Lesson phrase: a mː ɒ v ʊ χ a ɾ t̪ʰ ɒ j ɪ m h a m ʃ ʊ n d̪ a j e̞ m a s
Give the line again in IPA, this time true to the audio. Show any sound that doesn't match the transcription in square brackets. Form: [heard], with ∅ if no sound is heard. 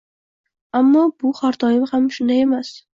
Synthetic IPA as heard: a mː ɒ [b] ʊ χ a ɾ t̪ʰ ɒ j ɪ m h a m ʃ ʊ n d̪ a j e̞ m a s